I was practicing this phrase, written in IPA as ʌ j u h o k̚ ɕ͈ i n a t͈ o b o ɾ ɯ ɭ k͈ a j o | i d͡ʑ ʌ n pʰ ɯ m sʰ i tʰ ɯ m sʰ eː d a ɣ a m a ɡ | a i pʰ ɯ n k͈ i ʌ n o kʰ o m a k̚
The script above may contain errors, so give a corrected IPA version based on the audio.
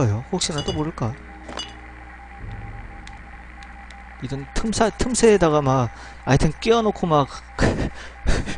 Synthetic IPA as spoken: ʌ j o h o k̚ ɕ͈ i n a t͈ o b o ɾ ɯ ɭ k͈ a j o | i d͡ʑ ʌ n tʰ ɯ m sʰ a tʰ ɯ m sʰ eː d a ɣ a m a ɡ | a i tʰ ɯ n k͈ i ʌ n o kʰ o m a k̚

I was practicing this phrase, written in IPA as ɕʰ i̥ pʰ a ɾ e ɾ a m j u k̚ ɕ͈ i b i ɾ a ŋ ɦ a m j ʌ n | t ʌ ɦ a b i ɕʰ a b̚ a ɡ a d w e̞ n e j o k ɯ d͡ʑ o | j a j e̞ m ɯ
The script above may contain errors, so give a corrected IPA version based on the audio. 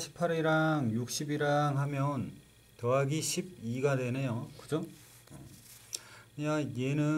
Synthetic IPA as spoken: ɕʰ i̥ pʰ a ɾ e ɾ a ŋ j u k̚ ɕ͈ i b i ɾ a ŋ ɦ a m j ʌ n | t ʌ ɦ a ɡ i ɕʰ i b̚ i ɡ a d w e̞ n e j o k ɯ d͡ʑ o | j a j e̞ n ɯ

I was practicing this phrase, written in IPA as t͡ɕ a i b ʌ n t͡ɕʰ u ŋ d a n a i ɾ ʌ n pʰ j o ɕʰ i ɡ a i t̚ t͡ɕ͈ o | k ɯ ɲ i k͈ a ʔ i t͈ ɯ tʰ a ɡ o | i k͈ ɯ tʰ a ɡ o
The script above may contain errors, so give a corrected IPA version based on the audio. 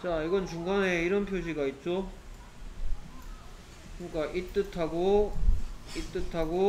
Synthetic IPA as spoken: t͡ɕ a i ɡ ʌ n t͡ɕ u ŋ ɡ a n e i ɾ ʌ n pʰ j o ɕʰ i ɡ a i t̚ t͡ɕ͈ o | k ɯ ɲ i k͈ a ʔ i t͈ ɯ tʰ a ɡ o | i t͈ ɯ tʰ a ɡ o

